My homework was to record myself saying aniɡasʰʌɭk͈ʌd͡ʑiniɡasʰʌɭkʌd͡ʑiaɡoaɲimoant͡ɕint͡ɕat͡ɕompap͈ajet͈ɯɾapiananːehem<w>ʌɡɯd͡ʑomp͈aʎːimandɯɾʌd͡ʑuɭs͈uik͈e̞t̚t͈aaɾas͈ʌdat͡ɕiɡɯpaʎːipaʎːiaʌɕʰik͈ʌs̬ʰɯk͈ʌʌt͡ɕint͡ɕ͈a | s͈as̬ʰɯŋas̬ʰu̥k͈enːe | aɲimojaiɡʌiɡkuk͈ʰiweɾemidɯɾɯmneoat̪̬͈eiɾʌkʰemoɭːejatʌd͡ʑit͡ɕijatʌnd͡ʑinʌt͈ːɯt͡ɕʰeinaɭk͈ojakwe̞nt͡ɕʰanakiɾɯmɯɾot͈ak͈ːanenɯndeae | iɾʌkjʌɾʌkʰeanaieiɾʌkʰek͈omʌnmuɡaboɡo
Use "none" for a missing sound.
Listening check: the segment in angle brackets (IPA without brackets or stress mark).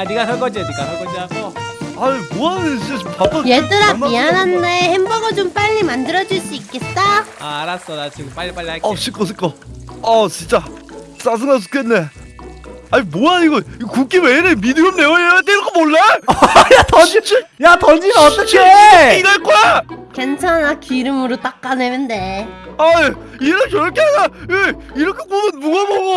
b